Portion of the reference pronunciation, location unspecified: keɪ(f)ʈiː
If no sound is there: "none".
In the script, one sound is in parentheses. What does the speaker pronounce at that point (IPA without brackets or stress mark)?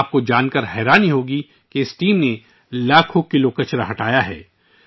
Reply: s